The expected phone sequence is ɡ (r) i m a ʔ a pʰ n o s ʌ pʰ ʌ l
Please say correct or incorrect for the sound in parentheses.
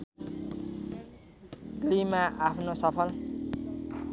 incorrect